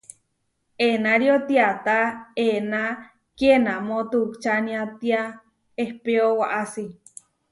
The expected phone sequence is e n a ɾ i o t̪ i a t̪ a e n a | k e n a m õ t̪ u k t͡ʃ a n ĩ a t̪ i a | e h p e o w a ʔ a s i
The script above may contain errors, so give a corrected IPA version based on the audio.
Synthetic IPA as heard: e n a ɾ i o t̪ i a t̪ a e n a | k e n a m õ t̪ u k t͡ʃ a n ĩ a t̪ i a | e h p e o w a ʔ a s i

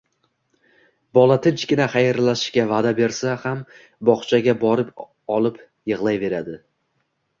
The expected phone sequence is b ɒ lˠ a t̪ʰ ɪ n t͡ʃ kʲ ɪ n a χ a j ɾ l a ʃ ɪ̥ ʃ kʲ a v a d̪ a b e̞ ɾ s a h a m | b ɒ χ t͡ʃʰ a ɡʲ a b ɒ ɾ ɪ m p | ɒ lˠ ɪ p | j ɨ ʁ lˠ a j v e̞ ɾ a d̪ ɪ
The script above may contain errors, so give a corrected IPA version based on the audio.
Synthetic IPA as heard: b ɒ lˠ a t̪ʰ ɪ n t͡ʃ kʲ ɪ n a χ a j ɾ l a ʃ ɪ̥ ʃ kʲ a v a d̪ a b e̞ ɾ s a h a m | b ɒ χ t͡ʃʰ a ɡʲ a b ɒ ɾ ɪ p | ɒ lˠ ɪ p | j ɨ ʁ lˠ a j v e̞ ɾ a d̪ ɪ

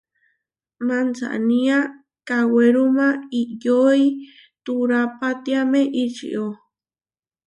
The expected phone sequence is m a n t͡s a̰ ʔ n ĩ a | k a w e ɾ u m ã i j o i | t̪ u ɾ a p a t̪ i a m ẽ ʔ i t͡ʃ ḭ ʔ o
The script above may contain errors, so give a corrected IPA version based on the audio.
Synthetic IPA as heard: m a n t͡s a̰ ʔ n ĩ a | k a w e ɾ u m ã i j o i | t̪ u ɾ a p a t̪ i a m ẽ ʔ i t͡ʃ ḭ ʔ o

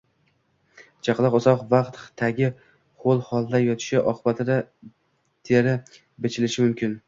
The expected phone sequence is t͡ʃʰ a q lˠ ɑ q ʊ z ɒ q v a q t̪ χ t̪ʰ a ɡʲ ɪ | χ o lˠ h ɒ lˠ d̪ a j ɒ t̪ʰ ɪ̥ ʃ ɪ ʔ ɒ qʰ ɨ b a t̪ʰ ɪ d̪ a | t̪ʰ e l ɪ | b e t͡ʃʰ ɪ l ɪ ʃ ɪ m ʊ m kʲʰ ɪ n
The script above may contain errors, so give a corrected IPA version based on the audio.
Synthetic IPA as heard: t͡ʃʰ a q lˠ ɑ q ʊ z ɒ q v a q t̪ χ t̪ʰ a ɡʲ ɪ | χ o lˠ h ɒ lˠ d̪ a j ɒ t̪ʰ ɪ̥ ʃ ɪ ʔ ɒ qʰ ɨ b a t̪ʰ ɪ d̪ a | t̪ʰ e ɾ ɪ | b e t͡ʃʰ ɪ l ɪ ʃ ɪ m ʊ m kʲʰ ɪ n

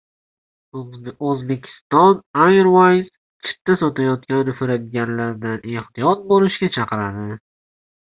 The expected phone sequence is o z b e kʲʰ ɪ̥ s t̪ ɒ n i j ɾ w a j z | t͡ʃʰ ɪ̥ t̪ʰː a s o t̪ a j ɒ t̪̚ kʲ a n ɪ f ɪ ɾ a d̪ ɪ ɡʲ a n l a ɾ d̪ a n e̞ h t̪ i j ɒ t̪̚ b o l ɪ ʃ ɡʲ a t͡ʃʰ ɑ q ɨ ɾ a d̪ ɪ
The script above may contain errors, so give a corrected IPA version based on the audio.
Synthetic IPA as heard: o z b e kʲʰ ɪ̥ s t̪ ɒ n a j ɾ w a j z | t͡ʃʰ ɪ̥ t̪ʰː a s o t̪ a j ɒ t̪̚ kʲ a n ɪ f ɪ ɾ a d̪ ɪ ɡʲ a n l a ɾ d̪ a n e̞ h t̪ i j ɒ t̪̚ b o l ɪ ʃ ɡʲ a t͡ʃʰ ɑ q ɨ ɾ a d̪ ɪ

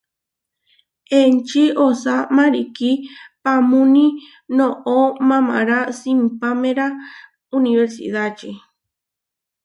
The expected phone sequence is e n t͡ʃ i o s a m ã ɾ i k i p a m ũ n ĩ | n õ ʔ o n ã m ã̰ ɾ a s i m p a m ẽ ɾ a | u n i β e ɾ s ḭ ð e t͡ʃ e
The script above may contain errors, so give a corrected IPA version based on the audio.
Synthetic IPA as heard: e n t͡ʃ i o s a m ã ɾ i k i p a m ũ n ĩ | n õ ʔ o m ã m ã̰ ɾ a s i m p a m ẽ ɾ a | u n i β e ɾ s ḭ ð a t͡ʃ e

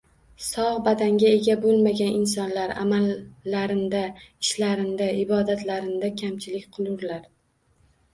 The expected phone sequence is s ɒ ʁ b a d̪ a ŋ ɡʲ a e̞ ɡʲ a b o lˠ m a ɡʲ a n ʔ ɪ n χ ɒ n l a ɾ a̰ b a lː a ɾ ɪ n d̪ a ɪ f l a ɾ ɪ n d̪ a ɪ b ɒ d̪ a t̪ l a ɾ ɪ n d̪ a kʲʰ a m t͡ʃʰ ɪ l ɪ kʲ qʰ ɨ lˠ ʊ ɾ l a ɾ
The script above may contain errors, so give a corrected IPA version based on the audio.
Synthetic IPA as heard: s ɒ ʁ b a d̪ a ŋ ɡʲ a e̞ ɡʲ a b o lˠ m a ɡʲ a n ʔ ɪ n s ɒ n l a ɾ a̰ m a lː a ɾ ɪ n d̪ a ɪ ʃ l a ɾ ɪ n d̪ a ɪ b ɒ d̪ a t̪ l a ɾ ɪ n d̪ a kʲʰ a m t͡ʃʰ ɪ l ɪ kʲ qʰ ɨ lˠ ʊ ɾ l a ɾ

